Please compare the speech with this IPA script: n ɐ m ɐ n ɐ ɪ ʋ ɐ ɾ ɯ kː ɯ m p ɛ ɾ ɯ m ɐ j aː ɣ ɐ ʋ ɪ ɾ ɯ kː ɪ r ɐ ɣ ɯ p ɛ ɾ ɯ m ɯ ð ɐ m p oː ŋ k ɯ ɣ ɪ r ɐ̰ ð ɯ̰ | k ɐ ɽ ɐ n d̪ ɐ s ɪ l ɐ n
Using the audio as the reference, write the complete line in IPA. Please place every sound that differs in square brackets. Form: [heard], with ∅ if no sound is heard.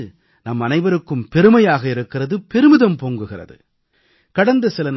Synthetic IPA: n ɐ m ɐ n ɐ ɪ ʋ ɐ ɾ ɯ kː ɯ m p ɛ ɾ ɯ m ɐ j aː ɣ ɐ [∅] ɪ ɾ ɯ kː ɪ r ɐ [ð] ɯ p ɛ ɾ ɯ m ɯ ð ɐ m p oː ŋ [ɡ] ɯ ɣ ɪ r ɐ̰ ð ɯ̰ | k ɐ ɽ ɐ n d̪ ɐ s ɪ l ɐ n